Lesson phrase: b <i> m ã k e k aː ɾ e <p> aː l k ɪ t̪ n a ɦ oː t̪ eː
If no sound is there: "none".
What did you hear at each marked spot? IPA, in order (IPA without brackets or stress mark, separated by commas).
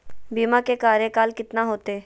iː, k